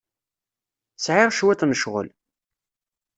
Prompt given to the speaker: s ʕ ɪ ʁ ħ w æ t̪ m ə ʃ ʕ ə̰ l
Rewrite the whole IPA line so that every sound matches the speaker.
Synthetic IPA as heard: s ʕ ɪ ʁ ʃ w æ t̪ n ə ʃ ʁ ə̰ l